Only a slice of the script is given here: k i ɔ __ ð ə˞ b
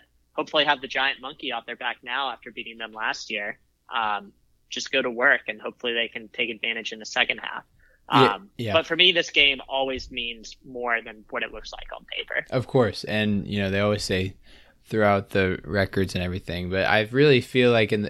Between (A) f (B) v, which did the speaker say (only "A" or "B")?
A